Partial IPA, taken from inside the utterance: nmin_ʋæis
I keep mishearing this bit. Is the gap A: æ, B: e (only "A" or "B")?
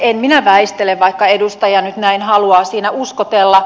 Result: A